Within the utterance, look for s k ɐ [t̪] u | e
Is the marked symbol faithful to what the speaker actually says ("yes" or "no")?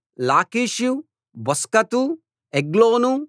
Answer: yes